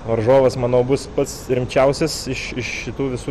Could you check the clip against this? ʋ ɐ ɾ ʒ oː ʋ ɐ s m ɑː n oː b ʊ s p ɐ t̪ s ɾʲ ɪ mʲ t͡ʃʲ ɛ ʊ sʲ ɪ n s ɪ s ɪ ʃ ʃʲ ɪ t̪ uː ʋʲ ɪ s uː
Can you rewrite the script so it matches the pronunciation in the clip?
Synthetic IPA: ʋ ɐ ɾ ʒ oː ʋ ɐ s m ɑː n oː b ʊ s p ɐ t̪ s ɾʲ ɪ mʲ t͡ʃʲ ɛ ʊ sʲ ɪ s ɪ ʃ ɪ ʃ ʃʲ ɪ t̪ uː ʋʲ ɪ s uː